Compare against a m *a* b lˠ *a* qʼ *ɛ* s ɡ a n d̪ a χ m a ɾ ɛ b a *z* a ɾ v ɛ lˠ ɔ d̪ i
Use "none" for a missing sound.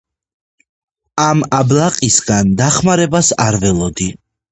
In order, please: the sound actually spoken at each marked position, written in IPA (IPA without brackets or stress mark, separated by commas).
a, a, i, s